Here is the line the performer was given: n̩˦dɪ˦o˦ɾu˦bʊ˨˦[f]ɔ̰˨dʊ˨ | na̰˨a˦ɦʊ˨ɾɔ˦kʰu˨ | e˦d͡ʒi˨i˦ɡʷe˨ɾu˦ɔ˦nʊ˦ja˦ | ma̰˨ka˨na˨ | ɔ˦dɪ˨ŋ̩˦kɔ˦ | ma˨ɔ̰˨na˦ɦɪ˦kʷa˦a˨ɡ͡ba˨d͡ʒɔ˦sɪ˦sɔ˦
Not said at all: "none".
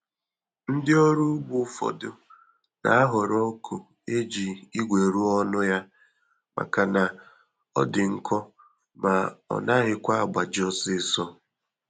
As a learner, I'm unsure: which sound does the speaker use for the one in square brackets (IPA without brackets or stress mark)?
f